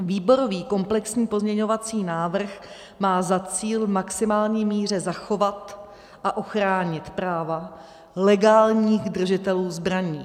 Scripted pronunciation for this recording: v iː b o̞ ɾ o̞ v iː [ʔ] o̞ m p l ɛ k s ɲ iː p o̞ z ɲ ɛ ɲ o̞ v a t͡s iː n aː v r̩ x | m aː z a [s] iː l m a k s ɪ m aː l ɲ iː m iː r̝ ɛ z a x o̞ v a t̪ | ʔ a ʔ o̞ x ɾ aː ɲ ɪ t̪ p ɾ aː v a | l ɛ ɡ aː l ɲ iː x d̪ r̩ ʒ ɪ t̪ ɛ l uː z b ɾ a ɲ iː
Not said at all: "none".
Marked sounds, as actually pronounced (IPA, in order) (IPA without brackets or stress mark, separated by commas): k, t͡s